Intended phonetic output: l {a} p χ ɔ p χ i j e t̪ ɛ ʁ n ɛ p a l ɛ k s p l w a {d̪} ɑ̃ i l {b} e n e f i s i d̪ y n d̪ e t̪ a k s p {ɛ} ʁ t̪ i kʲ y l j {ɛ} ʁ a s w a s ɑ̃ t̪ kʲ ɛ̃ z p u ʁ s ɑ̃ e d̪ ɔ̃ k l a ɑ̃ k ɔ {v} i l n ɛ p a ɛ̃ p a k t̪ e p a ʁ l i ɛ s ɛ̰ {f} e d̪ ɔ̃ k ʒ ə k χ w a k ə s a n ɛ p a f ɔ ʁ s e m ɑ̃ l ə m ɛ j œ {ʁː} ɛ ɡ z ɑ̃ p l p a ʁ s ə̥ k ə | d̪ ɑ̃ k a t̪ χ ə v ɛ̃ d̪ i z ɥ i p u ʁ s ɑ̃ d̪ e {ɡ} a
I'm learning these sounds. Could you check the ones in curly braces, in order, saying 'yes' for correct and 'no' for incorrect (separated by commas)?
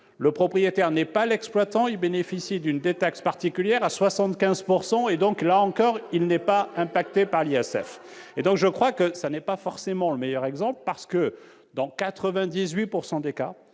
no, no, yes, no, yes, no, yes, no, no